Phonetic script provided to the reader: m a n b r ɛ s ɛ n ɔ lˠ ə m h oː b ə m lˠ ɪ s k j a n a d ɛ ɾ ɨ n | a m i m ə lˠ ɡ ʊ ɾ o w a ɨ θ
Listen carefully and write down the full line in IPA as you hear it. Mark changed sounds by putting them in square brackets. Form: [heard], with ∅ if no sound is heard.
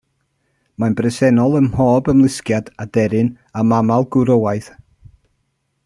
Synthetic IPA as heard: m a n b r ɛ s ɛ n ɔ lˠ ə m h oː b ə m lˠ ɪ s k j a [d] a d ɛ ɾ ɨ n | a m [a] m [a] lˠ ɡ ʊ ɾ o w a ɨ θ